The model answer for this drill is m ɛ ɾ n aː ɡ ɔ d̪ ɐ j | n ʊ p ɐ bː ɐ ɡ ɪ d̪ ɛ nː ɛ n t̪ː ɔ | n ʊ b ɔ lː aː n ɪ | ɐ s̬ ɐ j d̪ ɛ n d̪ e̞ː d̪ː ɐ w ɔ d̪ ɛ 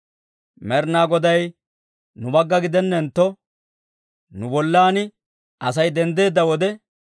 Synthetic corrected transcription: m ɛ ɾ n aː ɡ ɔ d̪ ɐ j | n ʊ b ɐ ɡː ɐ ɡ ɪ d̪ ɛ nː ɛ n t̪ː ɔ | n ʊ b ɔ lː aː n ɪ | ɐ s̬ ɐ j d̪ ɛ n d̪ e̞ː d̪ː ɐ w ɔ d̪ ɛ